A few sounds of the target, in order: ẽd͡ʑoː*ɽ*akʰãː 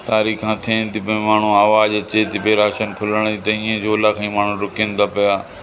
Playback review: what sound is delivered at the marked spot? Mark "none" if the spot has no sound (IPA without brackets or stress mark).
l